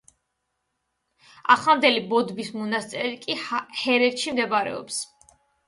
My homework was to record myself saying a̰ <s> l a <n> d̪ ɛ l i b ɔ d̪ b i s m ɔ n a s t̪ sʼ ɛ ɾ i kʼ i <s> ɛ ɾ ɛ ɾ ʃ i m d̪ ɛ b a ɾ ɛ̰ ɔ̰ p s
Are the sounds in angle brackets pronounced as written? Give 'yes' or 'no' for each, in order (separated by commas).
no, yes, no